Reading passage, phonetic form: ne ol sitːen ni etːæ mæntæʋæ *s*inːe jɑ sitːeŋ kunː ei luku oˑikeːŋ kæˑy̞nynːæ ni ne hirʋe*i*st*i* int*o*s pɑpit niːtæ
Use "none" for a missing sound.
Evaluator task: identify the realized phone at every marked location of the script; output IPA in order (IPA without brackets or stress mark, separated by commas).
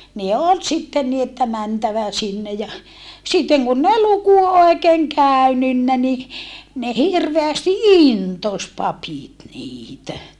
s, æ, i, o